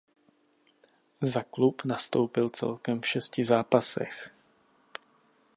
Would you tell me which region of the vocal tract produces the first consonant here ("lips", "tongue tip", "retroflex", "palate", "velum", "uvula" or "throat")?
tongue tip